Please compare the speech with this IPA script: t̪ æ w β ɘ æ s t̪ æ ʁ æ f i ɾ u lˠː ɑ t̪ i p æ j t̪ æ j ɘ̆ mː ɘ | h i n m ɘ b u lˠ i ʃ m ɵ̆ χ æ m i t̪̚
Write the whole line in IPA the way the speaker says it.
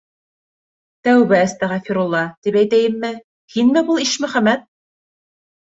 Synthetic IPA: t̪ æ w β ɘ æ s t̪ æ ʁ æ f i ɾ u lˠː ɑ t̪ i p æ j t̪ æ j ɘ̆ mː ɘ | h i n m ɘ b u lˠ i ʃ m ɵ̆ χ æ m æ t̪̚

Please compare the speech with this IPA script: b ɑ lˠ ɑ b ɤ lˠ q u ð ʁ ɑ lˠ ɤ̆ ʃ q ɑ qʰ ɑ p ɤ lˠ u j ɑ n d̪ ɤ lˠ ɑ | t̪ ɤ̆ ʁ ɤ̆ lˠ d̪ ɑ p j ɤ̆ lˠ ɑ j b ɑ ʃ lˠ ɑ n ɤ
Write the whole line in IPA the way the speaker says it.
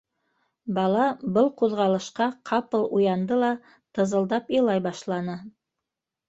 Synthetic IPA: b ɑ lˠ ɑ b ɤ lˠ q u ð ʁ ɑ lˠ ɤ̆ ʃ q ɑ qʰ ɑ p ɤ lˠ u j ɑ n d̪ ɤ lˠ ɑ | t̪ ɤ̆ z ɤ̆ lˠ d̪ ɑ p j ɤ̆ lˠ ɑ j b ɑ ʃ lˠ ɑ n ɤ

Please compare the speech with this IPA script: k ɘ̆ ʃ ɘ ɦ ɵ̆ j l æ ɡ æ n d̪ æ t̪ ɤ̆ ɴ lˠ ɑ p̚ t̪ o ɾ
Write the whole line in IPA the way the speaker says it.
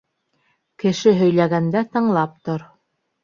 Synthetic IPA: k ɘ̆ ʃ ɘ ɦ ɵ̆ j l æ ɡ æ n d̪ æ t̪ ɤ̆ ɴ lˠ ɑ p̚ t̪ o ɾ

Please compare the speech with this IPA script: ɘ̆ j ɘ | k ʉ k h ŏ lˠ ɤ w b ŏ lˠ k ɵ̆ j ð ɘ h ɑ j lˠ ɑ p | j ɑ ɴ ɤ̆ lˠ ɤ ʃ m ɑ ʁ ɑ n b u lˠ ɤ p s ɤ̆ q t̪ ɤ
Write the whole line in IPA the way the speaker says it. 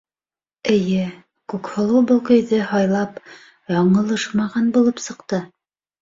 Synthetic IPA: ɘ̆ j ɘ | k ʉ k h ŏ lˠ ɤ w b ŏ lˠ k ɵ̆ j ð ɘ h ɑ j lˠ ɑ p | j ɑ ɴ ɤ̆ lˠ ɤ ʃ m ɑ ʁ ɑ n b u lˠ ɤ p s ɤ̆ q t̪ ɤ

